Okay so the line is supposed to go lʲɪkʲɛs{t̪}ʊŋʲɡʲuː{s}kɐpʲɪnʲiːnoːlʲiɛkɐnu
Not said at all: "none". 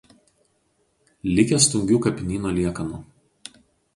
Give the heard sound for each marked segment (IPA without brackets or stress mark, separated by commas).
t̪, none